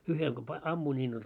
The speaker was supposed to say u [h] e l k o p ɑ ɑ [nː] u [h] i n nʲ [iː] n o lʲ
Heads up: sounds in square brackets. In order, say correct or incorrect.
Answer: correct, incorrect, incorrect, correct

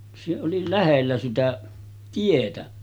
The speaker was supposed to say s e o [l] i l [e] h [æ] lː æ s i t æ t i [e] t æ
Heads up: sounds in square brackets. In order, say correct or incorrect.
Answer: correct, incorrect, incorrect, correct

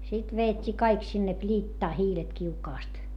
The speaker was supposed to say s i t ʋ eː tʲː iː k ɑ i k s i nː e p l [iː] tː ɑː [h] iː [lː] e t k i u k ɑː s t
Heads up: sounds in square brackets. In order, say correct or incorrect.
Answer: correct, correct, incorrect

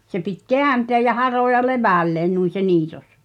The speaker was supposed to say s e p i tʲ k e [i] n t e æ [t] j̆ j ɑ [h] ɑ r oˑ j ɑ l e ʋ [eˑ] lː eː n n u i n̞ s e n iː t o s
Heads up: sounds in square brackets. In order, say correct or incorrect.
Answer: incorrect, incorrect, correct, incorrect

